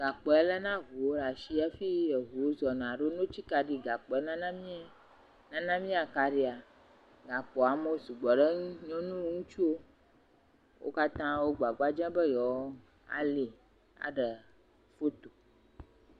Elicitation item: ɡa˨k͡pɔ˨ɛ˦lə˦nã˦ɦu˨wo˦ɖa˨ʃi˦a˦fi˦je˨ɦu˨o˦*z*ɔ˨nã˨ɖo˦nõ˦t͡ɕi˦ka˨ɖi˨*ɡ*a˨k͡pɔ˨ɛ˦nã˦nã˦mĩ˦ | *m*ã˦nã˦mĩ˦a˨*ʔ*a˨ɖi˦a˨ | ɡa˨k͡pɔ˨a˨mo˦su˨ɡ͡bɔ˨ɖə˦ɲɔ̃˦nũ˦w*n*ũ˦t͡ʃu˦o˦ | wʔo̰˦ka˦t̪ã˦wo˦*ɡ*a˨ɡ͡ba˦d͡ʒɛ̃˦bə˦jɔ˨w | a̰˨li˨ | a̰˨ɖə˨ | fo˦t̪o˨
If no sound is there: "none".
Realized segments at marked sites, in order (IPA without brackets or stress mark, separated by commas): z, ɡ, n, k, ŋ, ɡ͡b